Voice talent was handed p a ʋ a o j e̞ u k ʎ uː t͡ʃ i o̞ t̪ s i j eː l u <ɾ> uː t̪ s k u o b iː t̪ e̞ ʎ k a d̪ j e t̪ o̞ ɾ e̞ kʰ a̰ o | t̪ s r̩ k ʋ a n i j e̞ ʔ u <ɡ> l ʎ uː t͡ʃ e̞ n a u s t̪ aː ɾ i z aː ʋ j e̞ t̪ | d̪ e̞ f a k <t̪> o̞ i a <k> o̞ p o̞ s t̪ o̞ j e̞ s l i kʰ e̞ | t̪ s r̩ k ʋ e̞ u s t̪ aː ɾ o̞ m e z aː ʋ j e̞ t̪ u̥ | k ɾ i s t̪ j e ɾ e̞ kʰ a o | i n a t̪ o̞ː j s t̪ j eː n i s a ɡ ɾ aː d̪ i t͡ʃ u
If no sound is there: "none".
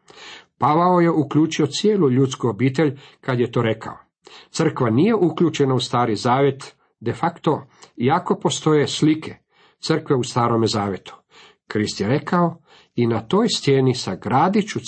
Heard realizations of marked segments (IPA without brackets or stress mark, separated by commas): ʎ, k, t̪, k